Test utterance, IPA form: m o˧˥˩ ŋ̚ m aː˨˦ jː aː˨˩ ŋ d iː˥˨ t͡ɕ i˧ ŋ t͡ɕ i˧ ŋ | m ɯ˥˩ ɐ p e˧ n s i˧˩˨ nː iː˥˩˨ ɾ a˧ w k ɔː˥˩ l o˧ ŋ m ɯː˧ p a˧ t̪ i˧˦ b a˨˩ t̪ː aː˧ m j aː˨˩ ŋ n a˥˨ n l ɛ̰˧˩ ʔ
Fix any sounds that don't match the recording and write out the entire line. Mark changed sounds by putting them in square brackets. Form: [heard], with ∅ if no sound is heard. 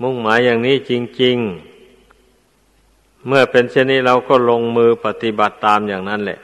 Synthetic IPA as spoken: m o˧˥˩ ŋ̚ m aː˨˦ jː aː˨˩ ŋ [n] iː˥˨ t͡ɕ i˧ ŋ t͡ɕ i˧ ŋ | m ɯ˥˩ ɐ p e˧ n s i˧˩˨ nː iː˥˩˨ ɾ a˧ w k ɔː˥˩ l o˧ ŋ m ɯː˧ p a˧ t̪ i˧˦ b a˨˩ t̪ː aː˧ m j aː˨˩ ŋ n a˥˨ n l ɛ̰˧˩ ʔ